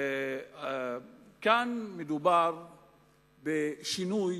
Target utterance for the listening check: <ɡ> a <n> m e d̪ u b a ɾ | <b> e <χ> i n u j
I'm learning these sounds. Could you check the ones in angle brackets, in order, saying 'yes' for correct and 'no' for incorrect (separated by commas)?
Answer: no, yes, yes, no